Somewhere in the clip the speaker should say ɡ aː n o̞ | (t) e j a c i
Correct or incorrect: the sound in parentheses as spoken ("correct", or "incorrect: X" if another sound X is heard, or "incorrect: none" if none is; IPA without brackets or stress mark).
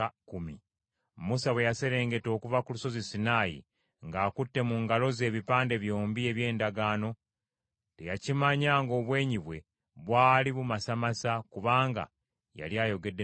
correct